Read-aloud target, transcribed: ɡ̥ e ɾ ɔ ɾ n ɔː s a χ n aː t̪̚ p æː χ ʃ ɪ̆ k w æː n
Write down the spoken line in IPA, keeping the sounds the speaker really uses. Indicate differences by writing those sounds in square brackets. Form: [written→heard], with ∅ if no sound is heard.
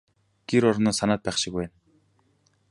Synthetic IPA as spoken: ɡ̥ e ɾ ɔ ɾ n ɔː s a [χ→∅] n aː t̪̚ p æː χ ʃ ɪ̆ k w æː n